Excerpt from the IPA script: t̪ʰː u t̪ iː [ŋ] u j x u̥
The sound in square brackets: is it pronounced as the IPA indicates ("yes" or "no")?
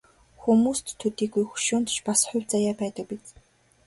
no